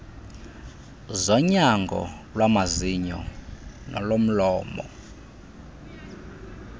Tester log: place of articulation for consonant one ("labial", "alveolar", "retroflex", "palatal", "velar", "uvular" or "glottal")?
alveolar